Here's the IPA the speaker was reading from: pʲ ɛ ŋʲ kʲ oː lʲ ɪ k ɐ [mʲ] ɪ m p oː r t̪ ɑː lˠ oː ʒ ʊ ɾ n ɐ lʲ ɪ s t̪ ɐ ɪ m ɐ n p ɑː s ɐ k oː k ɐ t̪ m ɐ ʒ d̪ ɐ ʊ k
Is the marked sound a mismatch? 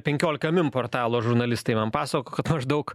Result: no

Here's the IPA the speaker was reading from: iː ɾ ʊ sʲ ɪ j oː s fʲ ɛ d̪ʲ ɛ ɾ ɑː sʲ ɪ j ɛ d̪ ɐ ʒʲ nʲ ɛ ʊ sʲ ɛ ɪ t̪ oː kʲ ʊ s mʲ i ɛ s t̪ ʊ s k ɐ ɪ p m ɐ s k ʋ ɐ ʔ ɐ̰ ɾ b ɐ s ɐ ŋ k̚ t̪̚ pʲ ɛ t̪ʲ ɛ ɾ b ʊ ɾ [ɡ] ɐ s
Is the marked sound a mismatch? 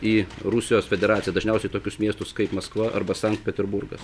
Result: no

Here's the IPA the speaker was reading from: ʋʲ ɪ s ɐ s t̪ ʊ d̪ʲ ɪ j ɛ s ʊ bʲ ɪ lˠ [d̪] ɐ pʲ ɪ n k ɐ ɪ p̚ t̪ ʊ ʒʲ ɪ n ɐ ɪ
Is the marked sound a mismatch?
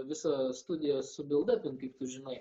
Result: no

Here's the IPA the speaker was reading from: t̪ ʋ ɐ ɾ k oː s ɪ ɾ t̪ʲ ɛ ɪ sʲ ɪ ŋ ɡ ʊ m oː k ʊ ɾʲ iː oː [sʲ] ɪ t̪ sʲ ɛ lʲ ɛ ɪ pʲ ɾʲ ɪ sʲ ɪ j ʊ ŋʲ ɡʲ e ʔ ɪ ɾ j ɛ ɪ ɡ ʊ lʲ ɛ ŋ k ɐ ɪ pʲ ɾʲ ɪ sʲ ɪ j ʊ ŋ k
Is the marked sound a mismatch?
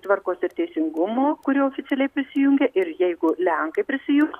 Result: yes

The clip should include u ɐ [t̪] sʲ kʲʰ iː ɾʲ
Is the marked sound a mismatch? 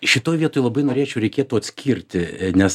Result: no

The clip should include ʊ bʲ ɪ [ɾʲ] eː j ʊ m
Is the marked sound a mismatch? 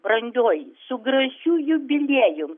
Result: yes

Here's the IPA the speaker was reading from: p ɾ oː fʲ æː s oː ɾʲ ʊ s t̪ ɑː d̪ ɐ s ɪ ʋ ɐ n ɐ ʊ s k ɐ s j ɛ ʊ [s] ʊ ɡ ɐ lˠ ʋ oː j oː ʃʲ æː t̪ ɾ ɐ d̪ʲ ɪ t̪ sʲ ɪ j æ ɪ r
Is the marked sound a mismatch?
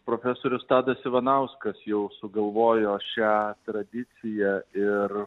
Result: no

